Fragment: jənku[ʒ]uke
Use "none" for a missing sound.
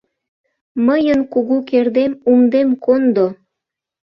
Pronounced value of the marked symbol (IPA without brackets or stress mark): ɣ